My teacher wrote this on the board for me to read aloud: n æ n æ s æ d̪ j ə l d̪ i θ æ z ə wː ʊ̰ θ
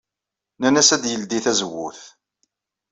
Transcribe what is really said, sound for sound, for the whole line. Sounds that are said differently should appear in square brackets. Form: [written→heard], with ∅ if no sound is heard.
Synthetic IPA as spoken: n æ n æ s æ d̪ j ə l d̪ i θ æ z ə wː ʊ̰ θ